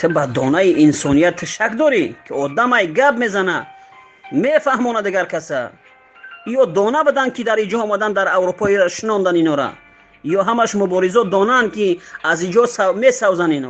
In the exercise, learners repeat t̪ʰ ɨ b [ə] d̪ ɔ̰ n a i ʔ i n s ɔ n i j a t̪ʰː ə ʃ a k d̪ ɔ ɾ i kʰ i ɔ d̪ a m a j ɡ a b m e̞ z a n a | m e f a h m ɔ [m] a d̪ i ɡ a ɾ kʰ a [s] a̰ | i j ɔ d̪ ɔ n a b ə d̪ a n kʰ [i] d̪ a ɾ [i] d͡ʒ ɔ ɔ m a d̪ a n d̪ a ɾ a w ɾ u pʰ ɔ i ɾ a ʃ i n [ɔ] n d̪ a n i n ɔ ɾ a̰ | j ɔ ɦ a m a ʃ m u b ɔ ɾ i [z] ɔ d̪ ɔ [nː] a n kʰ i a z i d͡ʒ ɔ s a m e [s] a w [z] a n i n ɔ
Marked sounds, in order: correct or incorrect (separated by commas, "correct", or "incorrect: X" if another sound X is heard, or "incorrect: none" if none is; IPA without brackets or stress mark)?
incorrect: a, incorrect: n, correct, correct, correct, correct, correct, incorrect: n, correct, correct